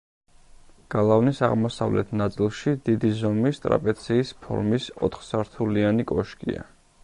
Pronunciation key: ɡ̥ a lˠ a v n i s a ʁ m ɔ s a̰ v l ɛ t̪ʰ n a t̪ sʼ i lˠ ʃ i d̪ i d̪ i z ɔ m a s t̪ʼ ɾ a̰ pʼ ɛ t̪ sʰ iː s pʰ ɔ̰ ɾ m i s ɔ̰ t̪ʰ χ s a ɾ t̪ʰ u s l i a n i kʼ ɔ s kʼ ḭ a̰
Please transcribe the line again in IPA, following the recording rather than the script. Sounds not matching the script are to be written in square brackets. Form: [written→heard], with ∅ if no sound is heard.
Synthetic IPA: ɡ̥ a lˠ a v n i s a ʁ m ɔ s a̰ v l ɛ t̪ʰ n a t̪ sʼ i lˠ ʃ i d̪ i d̪ i z ɔ m [a→i] s t̪ʼ ɾ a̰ pʼ ɛ t̪ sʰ iː s pʰ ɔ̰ ɾ m i s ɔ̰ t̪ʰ χ s a ɾ t̪ʰ u [s→∅] l i a n i kʼ ɔ [s→ʃ] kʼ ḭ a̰